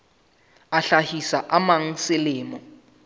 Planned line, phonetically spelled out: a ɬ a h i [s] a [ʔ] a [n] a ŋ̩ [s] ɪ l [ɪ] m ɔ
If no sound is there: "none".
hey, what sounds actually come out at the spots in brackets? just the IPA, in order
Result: s, ʔ, m, s, ɪː

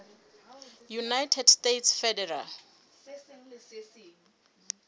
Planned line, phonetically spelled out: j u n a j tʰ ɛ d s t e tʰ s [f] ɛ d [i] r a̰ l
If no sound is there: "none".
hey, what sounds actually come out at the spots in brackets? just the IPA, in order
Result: f, ɛ

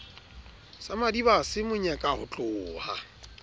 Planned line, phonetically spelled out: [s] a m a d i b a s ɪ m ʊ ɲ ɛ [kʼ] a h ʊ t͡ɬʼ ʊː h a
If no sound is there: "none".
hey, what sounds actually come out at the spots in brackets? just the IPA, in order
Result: s, kʼ

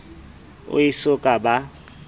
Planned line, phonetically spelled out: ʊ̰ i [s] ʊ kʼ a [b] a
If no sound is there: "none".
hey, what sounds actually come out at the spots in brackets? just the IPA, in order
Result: s, b

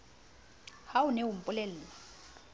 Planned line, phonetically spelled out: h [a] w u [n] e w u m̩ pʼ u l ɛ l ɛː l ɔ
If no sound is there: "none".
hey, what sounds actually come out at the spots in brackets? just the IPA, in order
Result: a, n

